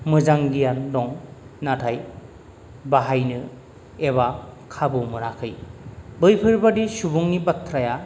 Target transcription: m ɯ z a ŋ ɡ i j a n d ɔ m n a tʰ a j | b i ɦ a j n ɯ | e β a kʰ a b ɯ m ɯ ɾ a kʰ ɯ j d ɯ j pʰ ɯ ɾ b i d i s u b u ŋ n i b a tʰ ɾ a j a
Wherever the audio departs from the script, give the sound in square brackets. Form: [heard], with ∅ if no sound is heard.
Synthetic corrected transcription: m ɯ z a ŋ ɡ i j a n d ɔ [ŋ] n a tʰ a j | b [a] ɦ a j n ɯ | e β a kʰ a b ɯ m ɯ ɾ a kʰ ɯ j [b] ɯ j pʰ ɯ ɾ b [a] d i s u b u ŋ n i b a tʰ ɾ a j a